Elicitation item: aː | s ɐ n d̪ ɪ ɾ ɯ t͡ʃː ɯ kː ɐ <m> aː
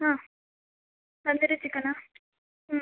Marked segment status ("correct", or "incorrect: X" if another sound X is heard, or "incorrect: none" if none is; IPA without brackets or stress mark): incorrect: n